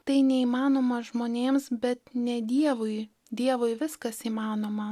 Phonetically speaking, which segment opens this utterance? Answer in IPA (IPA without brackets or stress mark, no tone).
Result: t̪